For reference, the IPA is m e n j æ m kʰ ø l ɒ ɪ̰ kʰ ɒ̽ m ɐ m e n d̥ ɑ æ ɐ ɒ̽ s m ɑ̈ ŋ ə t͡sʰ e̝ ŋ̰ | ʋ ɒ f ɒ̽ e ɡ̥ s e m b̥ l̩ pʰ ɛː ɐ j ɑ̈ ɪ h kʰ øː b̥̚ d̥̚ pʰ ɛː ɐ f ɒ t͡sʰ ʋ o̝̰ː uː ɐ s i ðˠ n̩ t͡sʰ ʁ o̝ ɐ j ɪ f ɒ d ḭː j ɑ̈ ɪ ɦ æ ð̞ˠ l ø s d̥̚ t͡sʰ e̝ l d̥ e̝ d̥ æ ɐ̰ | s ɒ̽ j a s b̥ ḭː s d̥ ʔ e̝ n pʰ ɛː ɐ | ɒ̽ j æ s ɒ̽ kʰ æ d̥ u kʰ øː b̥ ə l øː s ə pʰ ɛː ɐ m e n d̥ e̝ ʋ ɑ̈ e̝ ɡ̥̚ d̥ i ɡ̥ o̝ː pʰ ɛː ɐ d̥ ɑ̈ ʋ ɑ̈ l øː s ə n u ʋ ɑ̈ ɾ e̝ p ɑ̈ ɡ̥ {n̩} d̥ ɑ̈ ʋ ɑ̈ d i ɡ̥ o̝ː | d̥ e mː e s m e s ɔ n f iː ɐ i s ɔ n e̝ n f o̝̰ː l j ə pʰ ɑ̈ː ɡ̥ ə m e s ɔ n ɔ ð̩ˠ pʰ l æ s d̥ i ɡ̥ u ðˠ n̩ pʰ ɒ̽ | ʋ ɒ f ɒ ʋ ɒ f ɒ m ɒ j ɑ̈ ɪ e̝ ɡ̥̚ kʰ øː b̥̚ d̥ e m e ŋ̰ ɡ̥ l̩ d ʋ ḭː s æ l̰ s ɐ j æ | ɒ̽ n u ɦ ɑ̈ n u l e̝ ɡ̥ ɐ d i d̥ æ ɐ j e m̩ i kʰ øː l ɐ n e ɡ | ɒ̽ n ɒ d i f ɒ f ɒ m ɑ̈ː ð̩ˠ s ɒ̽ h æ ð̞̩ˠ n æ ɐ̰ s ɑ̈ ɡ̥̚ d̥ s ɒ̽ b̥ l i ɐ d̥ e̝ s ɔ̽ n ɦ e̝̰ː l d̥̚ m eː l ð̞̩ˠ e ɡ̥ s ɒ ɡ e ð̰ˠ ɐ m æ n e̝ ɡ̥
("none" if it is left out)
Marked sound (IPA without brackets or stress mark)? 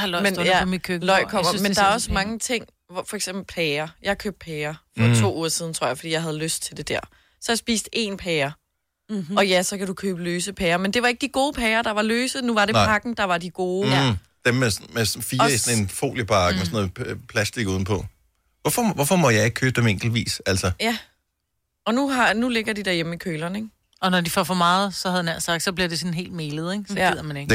n̩